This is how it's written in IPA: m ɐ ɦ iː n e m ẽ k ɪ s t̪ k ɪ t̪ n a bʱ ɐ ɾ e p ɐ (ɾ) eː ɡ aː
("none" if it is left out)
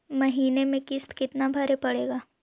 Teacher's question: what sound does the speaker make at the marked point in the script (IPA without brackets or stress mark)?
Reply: ɽ